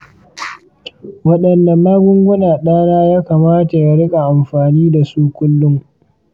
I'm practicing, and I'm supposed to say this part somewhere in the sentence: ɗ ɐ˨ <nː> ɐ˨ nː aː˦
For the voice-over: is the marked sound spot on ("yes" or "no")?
yes